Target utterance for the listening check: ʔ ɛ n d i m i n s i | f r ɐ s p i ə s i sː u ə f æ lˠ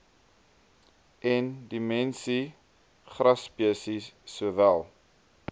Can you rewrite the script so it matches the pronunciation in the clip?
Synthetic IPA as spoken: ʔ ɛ n d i m ɛ n s i | χ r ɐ s p i ə s i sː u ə v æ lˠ